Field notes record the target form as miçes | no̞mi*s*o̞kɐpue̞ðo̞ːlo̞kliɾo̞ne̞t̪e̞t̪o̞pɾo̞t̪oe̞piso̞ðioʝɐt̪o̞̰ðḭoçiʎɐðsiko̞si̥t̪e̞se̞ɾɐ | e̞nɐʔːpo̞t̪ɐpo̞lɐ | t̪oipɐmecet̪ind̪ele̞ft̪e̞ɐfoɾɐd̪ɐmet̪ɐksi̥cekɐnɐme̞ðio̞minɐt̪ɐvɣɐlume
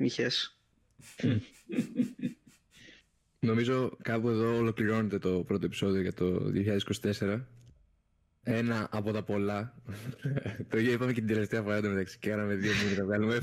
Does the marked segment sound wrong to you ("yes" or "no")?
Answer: yes